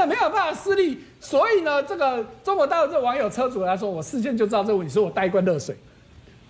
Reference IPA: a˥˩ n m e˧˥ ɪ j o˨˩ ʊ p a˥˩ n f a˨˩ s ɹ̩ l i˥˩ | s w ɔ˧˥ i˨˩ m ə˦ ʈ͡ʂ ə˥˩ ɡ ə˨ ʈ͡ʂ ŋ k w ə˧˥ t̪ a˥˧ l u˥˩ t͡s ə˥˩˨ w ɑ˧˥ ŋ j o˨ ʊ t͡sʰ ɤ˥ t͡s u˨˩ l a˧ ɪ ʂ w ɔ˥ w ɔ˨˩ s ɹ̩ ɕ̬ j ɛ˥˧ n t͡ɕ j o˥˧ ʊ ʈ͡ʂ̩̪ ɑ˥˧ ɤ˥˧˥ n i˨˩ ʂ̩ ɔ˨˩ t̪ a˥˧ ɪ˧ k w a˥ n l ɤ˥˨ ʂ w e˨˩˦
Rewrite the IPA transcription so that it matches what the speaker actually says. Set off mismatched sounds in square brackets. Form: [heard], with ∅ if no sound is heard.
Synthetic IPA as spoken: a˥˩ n m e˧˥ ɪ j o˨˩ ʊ p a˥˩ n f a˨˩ s ɹ̩ l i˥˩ | s w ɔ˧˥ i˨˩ [n] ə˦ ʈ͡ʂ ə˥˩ ɡ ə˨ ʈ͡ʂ ŋ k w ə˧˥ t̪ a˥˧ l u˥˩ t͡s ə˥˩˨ w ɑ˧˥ ŋ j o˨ ʊ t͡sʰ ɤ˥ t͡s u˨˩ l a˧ ɪ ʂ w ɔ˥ w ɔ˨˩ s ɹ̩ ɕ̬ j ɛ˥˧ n t͡ɕ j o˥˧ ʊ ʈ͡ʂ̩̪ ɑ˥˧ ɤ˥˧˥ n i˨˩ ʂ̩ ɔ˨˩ t̪ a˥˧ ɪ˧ k w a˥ n l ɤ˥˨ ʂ w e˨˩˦